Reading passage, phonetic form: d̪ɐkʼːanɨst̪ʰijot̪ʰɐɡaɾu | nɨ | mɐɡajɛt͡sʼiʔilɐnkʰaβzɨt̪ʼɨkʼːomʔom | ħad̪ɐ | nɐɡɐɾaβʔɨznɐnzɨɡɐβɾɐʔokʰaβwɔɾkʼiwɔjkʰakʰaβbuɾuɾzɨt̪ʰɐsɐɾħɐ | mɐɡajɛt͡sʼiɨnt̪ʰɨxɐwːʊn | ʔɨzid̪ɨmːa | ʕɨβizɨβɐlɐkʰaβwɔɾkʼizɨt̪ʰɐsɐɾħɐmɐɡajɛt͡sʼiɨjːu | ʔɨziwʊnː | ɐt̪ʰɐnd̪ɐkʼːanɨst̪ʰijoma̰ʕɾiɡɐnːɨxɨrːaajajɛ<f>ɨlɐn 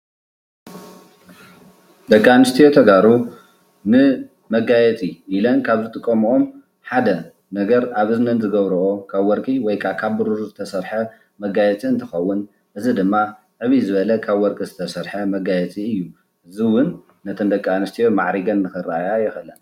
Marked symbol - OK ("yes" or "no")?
no